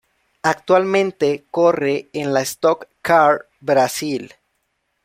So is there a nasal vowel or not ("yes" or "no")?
yes